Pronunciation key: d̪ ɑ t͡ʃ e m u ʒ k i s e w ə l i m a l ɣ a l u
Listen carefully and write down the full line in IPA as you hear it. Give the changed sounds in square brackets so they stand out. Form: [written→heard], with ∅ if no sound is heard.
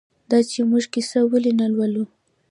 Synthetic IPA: d̪ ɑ t͡ʃ e m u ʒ k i s [e→a] w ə l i [m→n] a l [ɣ→w] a l u